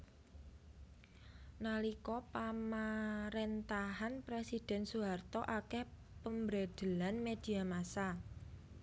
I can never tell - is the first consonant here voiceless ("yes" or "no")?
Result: no